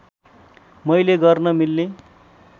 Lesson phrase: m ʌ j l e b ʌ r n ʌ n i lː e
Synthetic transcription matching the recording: m ʌ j l e ɡ ʌ r n ʌ m i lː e